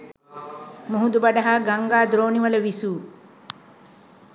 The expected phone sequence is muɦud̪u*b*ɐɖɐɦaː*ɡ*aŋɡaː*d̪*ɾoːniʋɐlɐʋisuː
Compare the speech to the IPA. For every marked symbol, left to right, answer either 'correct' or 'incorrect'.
correct, correct, correct

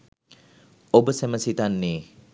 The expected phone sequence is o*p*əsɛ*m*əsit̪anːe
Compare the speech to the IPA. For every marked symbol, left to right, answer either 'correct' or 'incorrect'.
incorrect: b, correct

